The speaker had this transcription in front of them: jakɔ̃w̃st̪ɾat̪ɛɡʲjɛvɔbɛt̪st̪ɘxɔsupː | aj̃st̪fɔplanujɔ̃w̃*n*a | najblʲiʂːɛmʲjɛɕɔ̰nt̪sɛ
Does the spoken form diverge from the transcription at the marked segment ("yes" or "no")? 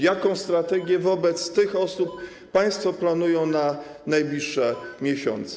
no